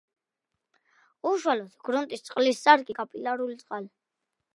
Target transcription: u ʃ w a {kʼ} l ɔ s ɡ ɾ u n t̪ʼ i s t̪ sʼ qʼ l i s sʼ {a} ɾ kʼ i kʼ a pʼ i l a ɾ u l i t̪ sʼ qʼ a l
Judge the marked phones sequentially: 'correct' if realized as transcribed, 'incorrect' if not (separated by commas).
incorrect, correct